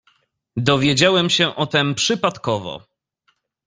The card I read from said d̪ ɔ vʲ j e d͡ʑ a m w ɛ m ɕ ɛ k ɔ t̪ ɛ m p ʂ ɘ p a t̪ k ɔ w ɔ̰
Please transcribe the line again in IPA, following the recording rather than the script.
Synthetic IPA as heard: d̪ ɔ vʲ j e d͡ʑ a w ɛ m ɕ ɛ ʔ ɔ t̪ ɛ m p ʂ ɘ p a t̪ k ɔ v ɔ̰